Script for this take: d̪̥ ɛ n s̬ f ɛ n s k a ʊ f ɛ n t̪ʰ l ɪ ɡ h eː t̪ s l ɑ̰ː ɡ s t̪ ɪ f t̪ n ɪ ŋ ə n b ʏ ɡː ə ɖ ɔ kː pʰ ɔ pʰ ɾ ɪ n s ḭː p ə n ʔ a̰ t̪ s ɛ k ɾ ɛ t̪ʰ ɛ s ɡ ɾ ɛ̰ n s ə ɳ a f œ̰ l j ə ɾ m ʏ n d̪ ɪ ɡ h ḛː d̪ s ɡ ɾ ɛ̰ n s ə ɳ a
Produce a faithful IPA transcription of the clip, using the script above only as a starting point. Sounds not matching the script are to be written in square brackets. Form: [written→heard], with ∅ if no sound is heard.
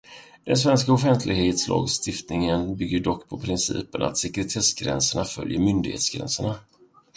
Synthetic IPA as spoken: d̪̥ ɛ n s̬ [f→v] ɛ n s k a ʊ f ɛ n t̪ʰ l ɪ ɡ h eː t̪ s l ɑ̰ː ɡ s t̪ ɪ f t̪ n ɪ ŋ ə n b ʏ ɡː ə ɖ ɔ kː pʰ ɔ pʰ ɾ ɪ n s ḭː p ə n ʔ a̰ t̪ s ɛ k ɾ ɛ t̪ʰ ɛ s ɡ ɾ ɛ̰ n s ə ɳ a f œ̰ l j ə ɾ m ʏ n d̪ ɪ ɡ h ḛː [d̪→t̪] s ɡ ɾ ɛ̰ n s ə ɳ a